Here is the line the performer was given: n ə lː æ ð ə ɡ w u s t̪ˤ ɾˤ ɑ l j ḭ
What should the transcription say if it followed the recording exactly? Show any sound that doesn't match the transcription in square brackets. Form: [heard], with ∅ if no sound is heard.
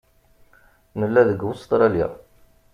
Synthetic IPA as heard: n ə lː æ ð ə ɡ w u s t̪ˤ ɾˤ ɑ l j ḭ